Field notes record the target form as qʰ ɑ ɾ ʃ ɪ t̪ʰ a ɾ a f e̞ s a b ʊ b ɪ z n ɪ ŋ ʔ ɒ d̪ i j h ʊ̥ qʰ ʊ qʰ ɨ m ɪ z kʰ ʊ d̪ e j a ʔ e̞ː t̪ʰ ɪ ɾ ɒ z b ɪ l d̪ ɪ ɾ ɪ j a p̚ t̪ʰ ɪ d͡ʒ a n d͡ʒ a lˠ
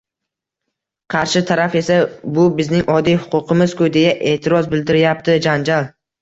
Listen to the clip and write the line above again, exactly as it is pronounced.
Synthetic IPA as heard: qʰ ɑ ɾ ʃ ɪ t̪ʰ a ɾ a f e̞ s a b ʊ b ɪ z n ɪ ŋ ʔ ɒ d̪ i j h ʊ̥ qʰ ʊ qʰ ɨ m ɪ z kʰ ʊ d̪ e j a ʔ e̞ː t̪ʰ ɪ ɾ ɒ z b ɪ l d̪ ɪ ɾ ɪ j a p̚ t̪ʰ ɪ d͡ʒ a n d͡ʒ a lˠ